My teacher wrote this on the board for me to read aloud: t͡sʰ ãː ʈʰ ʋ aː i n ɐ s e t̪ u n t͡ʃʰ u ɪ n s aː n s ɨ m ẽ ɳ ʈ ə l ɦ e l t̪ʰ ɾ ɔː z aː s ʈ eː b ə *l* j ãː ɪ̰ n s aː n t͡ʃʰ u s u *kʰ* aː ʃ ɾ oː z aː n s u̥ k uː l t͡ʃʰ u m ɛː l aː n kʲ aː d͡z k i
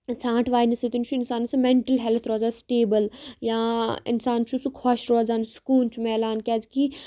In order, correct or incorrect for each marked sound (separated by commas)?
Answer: correct, correct